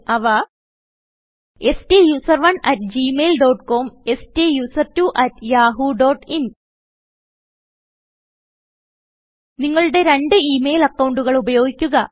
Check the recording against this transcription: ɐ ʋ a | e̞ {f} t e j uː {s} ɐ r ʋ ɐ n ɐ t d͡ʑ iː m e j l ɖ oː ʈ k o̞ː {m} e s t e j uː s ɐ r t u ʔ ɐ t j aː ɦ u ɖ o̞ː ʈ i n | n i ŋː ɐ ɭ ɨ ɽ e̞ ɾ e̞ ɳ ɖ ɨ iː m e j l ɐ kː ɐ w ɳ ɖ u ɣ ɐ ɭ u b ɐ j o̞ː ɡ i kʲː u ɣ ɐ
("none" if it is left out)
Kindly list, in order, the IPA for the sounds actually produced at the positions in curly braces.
s, s, m

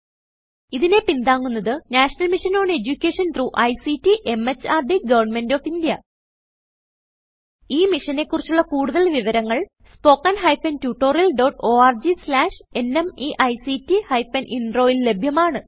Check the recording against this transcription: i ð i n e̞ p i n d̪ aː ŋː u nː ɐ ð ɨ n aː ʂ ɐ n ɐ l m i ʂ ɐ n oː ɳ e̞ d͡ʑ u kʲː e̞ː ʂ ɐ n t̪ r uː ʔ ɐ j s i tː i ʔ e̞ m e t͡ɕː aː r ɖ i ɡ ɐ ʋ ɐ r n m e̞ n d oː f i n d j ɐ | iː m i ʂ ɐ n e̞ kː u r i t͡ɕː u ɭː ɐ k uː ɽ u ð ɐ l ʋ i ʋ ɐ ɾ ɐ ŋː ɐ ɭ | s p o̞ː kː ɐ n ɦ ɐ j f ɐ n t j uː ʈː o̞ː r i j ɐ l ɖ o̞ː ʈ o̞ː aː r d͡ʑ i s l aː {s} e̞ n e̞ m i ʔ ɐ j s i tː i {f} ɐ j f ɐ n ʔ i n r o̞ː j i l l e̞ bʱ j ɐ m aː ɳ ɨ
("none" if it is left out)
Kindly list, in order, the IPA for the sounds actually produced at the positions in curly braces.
ʂ, h

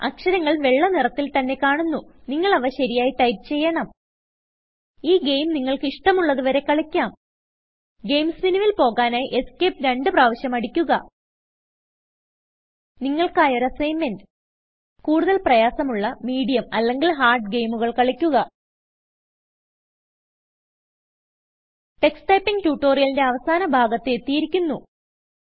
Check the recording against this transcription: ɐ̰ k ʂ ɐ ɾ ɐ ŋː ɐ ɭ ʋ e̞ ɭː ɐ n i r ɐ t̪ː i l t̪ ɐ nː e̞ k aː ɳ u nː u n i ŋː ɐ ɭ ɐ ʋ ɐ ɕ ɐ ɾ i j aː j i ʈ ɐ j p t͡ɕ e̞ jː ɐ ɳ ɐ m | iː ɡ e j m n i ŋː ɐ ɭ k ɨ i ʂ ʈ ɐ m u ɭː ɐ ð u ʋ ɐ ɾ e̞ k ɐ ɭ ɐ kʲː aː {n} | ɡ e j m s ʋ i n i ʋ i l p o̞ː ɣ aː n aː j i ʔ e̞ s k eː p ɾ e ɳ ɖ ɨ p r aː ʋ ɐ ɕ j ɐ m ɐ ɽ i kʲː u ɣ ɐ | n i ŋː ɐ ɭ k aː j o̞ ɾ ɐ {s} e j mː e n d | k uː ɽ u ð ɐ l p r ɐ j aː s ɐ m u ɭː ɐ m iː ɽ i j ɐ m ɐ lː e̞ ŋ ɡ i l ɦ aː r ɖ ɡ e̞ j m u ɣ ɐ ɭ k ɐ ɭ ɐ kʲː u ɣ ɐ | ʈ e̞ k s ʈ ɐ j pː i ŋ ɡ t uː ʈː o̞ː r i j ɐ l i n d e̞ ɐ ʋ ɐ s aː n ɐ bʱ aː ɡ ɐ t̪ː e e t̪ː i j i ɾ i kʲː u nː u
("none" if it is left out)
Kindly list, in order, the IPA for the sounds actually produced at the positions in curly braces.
m, s

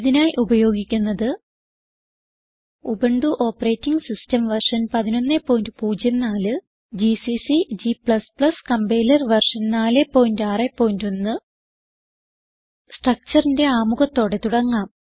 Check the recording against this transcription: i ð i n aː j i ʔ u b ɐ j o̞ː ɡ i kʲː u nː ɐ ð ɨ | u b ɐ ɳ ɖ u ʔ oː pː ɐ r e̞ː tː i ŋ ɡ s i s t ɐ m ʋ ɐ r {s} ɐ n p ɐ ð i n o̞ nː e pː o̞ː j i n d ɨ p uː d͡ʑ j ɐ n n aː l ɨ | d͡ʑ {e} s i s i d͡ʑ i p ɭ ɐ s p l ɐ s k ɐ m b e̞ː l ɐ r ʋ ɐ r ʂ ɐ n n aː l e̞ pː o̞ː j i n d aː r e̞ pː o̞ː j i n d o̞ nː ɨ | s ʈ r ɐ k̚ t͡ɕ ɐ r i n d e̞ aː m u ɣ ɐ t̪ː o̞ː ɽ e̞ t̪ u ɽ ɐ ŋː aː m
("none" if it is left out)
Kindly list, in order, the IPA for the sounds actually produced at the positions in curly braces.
ʂ, i

